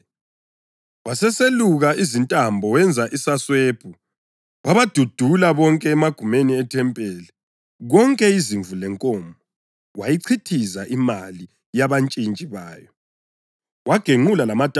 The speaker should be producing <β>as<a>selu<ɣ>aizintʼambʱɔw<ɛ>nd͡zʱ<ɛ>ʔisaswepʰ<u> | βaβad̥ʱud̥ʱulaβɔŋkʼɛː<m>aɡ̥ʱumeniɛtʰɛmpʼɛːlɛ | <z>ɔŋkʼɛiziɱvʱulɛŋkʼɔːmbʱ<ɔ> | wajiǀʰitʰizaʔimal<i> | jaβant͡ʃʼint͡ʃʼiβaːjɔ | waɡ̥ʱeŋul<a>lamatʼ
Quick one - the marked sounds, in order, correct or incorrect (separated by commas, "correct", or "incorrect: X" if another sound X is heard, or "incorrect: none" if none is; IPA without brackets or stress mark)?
incorrect: w, incorrect: ɛ, correct, correct, incorrect: a, correct, correct, incorrect: ɣ, correct, correct, correct